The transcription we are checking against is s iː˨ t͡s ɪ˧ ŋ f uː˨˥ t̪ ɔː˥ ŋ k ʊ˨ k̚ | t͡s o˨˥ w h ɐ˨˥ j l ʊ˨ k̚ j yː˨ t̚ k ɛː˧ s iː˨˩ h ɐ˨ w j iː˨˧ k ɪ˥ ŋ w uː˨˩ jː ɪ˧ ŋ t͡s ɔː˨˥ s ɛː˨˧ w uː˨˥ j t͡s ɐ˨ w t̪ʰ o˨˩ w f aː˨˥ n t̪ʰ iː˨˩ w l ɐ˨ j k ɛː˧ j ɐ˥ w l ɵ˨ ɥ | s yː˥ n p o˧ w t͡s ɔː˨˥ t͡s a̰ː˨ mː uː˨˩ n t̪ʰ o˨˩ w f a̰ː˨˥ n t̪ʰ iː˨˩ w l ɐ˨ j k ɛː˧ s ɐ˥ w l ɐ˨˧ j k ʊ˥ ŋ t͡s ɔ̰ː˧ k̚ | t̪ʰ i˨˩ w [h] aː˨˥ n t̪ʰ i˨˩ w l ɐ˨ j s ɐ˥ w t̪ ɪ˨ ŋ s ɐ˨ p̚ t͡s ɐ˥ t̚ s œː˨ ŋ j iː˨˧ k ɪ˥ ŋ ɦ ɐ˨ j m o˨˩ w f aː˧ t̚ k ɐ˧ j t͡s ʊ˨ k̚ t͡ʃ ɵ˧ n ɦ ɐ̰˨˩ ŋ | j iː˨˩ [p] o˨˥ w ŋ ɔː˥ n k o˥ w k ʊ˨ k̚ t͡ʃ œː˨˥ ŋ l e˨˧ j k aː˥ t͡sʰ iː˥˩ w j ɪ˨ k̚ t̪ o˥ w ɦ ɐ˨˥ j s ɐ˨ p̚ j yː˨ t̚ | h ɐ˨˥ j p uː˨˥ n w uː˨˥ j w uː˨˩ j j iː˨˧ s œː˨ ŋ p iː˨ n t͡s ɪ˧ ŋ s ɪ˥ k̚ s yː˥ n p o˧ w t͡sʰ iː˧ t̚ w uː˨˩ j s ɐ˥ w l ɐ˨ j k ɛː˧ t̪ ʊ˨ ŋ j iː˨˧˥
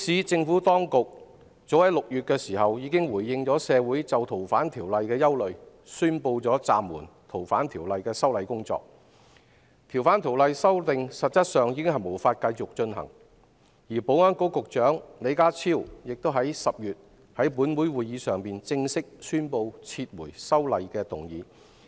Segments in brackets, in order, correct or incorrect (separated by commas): incorrect, correct